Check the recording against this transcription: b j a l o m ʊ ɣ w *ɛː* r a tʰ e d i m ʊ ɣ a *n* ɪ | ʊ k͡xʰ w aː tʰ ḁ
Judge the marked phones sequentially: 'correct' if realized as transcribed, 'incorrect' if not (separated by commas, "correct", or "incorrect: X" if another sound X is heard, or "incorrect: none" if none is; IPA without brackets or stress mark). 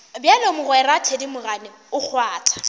incorrect: ɛ, correct